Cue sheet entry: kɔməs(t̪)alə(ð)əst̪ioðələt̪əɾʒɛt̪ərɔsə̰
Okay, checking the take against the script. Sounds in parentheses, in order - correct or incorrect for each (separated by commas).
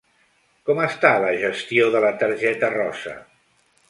correct, incorrect